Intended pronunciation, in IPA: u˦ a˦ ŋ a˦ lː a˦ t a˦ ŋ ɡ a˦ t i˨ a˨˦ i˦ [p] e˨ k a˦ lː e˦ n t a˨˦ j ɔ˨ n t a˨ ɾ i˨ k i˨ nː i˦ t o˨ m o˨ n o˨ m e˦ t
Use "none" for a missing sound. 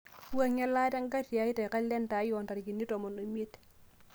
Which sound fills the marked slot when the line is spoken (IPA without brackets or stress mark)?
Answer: t